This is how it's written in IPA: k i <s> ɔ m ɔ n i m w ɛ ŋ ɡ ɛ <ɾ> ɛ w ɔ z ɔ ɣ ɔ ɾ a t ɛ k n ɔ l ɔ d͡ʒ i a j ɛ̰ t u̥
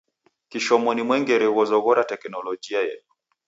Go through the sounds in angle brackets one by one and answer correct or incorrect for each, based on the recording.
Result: incorrect, correct

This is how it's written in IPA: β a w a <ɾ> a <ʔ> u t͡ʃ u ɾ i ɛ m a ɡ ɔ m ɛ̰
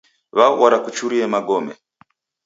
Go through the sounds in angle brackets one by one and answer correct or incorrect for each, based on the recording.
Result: correct, incorrect

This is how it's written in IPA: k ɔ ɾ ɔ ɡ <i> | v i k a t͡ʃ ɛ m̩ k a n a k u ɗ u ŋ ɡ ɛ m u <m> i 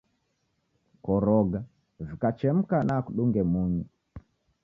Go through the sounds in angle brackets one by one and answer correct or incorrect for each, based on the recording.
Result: incorrect, incorrect

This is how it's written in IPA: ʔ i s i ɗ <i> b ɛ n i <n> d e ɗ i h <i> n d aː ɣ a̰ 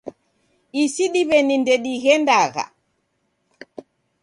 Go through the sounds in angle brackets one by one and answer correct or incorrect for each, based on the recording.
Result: correct, correct, incorrect

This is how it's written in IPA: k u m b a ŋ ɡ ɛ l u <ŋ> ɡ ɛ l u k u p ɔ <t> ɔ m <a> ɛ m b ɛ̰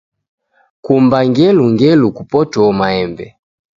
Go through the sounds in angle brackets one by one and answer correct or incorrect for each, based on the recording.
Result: correct, correct, correct

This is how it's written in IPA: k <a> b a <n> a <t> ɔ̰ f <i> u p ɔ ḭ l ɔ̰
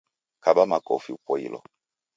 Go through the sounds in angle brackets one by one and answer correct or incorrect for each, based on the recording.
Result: correct, incorrect, incorrect, correct

